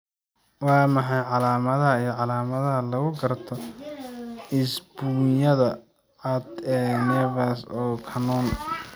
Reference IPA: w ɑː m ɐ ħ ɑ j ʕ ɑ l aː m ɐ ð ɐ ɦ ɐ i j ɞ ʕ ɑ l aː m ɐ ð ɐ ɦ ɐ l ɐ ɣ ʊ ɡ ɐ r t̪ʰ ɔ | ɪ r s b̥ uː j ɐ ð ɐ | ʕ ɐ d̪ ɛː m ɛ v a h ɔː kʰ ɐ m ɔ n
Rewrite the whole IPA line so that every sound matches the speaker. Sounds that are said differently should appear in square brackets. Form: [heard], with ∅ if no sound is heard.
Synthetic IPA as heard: w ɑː m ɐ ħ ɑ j ʕ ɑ l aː m ɐ ð ɐ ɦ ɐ i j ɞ ʕ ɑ l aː m ɐ ð ɐ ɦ ɐ l ɐ ɣ ʊ ɡ ɐ r t̪ʰ ɔ | ɪ [∅] s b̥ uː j ɐ ð ɐ | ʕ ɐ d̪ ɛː [n] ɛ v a [s] ɔː kʰ ɐ [n] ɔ n

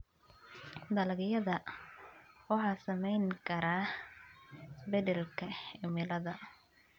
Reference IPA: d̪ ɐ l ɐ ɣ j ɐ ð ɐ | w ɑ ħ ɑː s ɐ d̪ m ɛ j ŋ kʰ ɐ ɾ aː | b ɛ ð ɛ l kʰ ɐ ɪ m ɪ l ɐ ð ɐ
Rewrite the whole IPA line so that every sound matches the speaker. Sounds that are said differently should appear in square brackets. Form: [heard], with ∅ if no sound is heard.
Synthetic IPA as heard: d̪ ɐ l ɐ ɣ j ɐ ð ɐ | w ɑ ħ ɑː s ɐ [∅] m ɛ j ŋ kʰ ɐ ɾ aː | b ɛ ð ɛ l kʰ ɐ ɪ m ɪ l ɐ ð ɐ

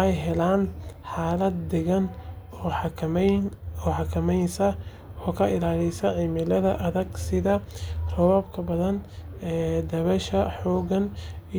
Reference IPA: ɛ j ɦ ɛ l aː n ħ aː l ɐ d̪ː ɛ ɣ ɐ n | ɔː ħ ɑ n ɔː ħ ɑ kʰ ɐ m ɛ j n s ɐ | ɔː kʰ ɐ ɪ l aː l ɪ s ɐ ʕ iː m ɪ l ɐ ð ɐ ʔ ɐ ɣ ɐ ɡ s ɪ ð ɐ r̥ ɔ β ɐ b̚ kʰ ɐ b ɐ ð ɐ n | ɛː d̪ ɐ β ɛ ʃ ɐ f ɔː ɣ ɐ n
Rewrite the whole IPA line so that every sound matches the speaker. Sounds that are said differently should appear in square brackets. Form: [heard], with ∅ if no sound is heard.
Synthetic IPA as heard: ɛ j ɦ ɛ l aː n ħ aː l ɐ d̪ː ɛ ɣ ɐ n | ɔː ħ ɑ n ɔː ħ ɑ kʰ ɐ m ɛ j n s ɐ | ɔː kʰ ɐ ɪ l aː l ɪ s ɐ ʕ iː m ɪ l ɐ ð ɐ ʔ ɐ [ð] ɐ ɡ s ɪ ð ɐ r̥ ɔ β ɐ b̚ kʰ ɐ b ɐ ð ɐ n | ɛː d̪ ɐ β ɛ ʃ ɐ [ħ] ɔː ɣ ɐ n

